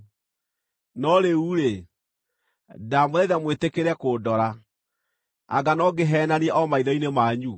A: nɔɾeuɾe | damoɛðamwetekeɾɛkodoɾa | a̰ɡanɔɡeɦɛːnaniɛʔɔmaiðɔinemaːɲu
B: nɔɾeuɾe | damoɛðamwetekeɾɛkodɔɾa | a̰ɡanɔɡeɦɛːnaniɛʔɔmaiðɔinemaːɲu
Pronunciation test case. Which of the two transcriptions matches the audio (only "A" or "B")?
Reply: B